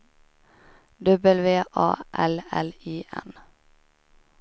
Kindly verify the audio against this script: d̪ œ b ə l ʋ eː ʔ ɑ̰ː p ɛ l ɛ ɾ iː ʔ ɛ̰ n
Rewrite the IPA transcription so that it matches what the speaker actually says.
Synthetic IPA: d̪ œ b ə l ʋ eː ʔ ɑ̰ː ʔ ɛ l ɛ l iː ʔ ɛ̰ n